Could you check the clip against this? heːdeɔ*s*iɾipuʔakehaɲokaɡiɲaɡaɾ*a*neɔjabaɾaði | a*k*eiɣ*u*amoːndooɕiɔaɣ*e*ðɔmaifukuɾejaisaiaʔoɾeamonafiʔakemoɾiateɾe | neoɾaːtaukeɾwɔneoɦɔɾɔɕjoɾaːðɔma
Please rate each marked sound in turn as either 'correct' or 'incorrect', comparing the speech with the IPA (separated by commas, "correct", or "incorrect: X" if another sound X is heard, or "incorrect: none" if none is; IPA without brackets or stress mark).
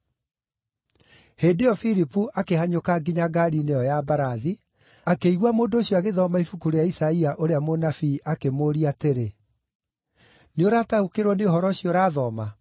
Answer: incorrect: f, incorrect: i, correct, incorrect: w, correct